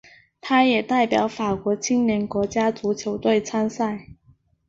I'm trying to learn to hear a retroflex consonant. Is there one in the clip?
no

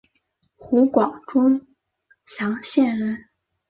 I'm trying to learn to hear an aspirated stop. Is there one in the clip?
no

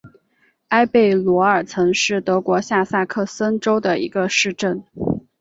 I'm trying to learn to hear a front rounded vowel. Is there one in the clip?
no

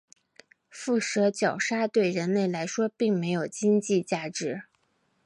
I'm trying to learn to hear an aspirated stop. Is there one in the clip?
no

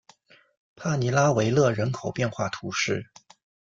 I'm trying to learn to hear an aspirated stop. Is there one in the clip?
yes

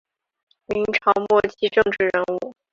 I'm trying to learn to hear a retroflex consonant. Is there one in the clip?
yes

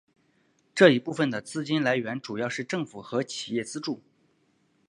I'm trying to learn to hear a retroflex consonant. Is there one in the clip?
yes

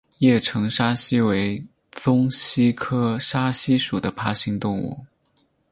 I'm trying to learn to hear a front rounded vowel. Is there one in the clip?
no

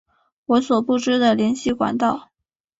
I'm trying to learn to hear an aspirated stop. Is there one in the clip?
no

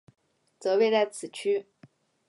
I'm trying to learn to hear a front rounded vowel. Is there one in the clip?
yes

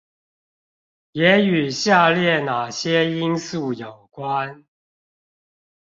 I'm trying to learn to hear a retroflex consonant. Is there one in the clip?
no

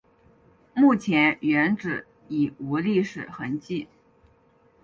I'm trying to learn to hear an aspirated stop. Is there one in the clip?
yes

